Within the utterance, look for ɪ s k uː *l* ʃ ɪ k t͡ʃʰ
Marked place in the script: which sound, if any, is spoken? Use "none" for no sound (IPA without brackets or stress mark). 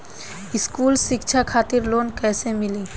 l